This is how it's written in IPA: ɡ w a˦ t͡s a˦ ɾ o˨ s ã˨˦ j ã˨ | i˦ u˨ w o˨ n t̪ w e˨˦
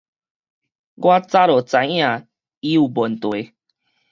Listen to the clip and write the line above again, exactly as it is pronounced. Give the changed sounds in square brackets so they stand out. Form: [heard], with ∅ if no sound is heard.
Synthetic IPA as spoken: ɡ w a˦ t͡s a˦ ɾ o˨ [t͡s] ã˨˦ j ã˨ | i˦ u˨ [b] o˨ n t̪ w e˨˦